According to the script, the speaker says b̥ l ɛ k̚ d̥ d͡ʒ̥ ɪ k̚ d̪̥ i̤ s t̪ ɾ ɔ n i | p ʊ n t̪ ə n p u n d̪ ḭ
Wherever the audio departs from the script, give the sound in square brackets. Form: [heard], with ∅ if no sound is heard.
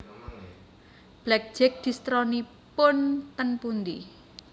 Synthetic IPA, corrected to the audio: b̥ l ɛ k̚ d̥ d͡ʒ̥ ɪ k̚ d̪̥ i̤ s t̪ ɾ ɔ n i | p ʊ n t̪ ə n p u n d̪ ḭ